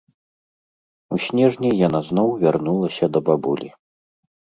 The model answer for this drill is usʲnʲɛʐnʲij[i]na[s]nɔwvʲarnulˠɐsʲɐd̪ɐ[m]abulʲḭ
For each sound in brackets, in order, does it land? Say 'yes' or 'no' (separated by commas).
no, no, no